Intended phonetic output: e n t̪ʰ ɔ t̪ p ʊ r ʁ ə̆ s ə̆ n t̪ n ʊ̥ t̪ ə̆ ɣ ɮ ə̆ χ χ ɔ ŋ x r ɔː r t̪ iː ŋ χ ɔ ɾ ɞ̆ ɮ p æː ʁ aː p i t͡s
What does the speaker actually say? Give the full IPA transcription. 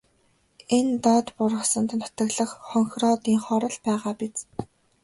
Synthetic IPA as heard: e n t̪ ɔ t̪ p ʊ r ʁ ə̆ s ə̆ n t̪ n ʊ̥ t̪ ə̆ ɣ ɮ ə̆ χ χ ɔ ŋ x r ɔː t̪ iː ŋ χ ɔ ɾ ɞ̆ ɮ p æː ʁ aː p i t͡s